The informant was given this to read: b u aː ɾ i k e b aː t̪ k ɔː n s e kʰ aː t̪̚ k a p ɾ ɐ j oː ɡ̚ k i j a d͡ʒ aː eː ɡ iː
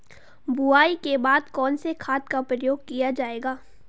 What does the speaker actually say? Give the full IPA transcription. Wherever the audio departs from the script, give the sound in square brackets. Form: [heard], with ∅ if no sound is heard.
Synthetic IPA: b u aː [∅] i k e b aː [d̪] k ɔː n s e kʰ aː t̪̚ k a p ɾ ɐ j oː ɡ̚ k i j a d͡ʒ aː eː ɡ [aː]

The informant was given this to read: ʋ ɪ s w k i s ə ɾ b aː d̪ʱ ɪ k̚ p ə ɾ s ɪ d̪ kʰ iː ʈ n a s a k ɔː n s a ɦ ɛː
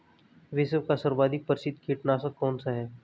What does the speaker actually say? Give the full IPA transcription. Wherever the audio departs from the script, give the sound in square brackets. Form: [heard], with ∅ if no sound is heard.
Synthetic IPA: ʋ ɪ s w k [a] s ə ɾ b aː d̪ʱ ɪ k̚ p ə ɾ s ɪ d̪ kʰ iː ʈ n a s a k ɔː n s a ɦ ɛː

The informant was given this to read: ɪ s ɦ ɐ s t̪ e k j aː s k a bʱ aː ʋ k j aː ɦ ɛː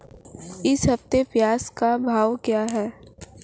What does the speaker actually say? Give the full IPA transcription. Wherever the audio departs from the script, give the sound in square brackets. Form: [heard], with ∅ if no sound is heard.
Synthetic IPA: ɪ s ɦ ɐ [f] t̪ e [p] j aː s k a bʱ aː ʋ k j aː ɦ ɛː

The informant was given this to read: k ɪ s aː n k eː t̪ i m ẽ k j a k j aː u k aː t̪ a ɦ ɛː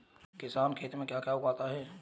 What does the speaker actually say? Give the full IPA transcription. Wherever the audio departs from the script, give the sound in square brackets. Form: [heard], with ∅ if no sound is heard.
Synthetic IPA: k ɪ s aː n [kʰ] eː t̪ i m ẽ k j a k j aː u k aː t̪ a ɦ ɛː

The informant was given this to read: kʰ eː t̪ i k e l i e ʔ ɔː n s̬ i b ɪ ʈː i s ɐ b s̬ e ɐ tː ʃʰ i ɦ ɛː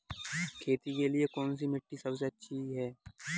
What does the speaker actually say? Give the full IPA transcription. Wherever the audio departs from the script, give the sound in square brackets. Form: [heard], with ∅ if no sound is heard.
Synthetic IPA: kʰ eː t̪ i k e l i e [k] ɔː n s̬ i [m] ɪ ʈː i s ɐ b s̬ e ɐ tː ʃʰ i ɦ ɛː

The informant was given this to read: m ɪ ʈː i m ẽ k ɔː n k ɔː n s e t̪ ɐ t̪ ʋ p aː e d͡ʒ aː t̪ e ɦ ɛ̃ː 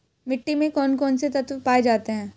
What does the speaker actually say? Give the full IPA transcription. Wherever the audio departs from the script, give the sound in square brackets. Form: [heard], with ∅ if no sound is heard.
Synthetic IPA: m ɪ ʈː i m ẽ k ɔː n k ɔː n s e t̪ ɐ t̪ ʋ p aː e d͡ʒ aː t̪ e ɦ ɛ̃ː

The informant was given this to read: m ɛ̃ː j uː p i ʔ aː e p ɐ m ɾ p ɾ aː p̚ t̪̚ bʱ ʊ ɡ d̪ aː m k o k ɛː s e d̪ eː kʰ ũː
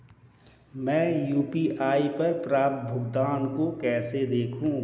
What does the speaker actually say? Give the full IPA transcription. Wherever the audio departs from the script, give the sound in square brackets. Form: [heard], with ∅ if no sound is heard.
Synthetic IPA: m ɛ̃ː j uː p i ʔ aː [i] p ɐ [∅] ɾ p ɾ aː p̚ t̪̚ bʱ ʊ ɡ d̪ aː [n] k o k ɛː s e d̪ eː kʰ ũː

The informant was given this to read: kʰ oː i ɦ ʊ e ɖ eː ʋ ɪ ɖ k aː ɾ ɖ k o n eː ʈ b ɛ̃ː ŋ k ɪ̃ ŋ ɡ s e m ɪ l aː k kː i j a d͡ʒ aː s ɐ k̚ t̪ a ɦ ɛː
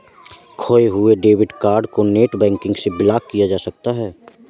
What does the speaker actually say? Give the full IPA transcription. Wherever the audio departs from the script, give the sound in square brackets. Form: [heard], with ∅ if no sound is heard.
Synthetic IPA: kʰ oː [e] ɦ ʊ e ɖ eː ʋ ɪ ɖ k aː ɾ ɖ k o n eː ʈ b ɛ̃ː ŋ k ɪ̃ ŋ ɡ s e [b] ɪ l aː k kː i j a d͡ʒ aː s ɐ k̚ t̪ a ɦ ɛː

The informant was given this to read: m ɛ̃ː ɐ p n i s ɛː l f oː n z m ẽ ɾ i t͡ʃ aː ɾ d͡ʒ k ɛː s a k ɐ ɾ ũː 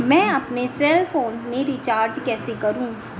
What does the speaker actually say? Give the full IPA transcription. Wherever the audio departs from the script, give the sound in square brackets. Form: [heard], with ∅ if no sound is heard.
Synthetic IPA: m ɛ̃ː ɐ p n [e] s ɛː l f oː n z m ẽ ɾ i t͡ʃ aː ɾ d͡ʒ k ɛː s [e] k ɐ ɾ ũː

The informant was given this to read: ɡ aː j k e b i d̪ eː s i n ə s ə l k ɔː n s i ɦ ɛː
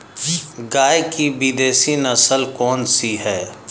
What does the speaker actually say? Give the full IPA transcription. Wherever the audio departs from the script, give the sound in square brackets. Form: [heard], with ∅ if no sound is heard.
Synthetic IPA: ɡ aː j k [i] b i d̪ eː s i n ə s ə l k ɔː n s i ɦ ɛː

